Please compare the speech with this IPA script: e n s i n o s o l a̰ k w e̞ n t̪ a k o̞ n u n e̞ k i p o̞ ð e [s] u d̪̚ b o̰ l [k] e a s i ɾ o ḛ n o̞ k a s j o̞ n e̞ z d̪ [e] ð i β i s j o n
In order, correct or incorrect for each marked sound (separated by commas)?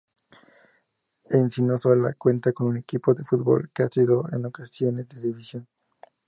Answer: incorrect, correct, correct